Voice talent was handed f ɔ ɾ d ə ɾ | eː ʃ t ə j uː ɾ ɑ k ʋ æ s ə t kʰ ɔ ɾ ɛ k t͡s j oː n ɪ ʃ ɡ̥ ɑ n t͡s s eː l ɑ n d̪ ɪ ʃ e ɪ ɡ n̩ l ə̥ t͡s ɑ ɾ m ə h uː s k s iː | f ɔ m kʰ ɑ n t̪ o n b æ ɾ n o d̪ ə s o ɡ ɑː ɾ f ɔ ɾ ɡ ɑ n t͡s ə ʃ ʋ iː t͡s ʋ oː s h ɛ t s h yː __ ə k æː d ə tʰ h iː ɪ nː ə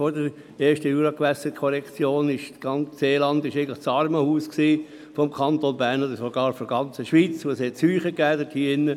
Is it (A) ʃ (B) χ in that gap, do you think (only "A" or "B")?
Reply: B